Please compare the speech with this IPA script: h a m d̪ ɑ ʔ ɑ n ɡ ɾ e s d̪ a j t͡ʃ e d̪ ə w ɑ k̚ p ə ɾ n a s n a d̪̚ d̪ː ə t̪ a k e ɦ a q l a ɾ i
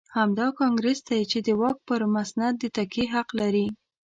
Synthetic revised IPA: h a m d̪ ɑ k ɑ ŋ ɡ ɾ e s d̪ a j t͡ʃ e d̪ ə w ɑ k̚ p ə ɾ m a s n a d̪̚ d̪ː ə t̪ a k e ɦ a q l a ɾ i